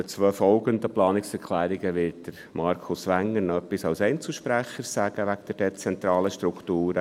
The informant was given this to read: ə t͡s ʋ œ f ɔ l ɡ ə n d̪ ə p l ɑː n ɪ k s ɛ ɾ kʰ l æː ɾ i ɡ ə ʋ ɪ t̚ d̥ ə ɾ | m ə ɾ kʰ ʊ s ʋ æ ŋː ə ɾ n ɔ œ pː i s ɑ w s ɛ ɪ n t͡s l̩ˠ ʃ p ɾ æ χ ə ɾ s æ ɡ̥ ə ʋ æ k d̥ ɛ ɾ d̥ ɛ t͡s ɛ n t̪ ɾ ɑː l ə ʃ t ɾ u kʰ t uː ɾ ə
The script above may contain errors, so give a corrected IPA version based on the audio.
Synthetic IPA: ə t͡s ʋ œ f ɔ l ɡ ə n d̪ ə p l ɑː n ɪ k s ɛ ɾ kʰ l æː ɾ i ɡ ə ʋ ɪ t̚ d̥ ə ɾ | m ɑ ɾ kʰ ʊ s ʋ æ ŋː ə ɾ n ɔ œ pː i s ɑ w s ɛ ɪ n t͡s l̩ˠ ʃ p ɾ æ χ ə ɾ s æ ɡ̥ ə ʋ æ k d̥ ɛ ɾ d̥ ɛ t͡s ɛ n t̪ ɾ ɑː l ə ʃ t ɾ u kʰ t uː ɾ ə